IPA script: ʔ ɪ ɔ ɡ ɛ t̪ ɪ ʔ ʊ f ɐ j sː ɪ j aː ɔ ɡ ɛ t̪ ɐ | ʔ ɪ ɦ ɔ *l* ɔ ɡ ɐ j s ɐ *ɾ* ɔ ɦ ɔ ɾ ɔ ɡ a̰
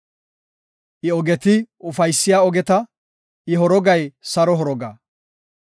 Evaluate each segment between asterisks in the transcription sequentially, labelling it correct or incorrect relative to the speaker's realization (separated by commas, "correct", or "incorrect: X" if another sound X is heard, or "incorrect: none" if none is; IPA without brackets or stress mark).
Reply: incorrect: ɾ, correct